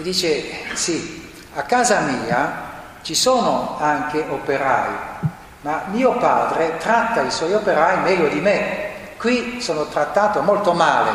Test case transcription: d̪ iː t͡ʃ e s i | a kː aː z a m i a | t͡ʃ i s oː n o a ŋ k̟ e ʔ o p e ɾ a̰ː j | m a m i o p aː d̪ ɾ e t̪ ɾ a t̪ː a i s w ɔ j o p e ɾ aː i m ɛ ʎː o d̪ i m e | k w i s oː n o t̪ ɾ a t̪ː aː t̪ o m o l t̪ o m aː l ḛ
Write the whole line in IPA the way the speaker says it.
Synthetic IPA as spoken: d̪ iː t͡ʃ e s i | a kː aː z a m iː a | t͡ʃ i s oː n o a ŋ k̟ e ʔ o p e ɾ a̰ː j | m a m iː o p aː d̪ ɾ e t̪ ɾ a t̪ː a i s w ɔ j o p e ɾ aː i m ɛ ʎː o d̪ i m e | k w i s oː n o t̪ ɾ a t̪ː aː t̪ o m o l t̪ o m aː l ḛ